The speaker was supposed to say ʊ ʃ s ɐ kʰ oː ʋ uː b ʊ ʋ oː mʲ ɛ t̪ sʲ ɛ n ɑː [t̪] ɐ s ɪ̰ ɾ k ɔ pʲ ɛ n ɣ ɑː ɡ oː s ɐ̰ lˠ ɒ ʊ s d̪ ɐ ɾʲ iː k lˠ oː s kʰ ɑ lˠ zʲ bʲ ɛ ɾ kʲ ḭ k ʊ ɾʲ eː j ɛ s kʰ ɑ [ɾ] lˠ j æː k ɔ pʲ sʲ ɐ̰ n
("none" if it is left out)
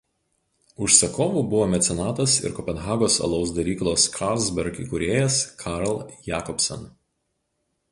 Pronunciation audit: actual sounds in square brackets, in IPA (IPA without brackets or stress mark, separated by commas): t̪, ɾ